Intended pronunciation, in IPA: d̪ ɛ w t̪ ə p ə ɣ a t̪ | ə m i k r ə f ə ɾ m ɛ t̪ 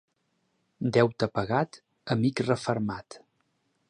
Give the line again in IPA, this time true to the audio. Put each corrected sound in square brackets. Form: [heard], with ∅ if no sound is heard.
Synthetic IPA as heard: d̪ ɛ w t̪ ə p ə ɣ a t̪ | ə m i k r ə f ə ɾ m [a] t̪